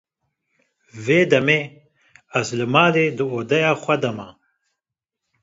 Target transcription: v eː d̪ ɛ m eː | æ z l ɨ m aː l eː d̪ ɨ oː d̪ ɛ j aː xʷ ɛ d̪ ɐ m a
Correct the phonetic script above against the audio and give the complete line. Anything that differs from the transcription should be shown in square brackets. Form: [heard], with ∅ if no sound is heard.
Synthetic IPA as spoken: v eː d̪ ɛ m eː | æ z l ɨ m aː l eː d̪ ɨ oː d̪ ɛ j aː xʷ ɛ d̪ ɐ m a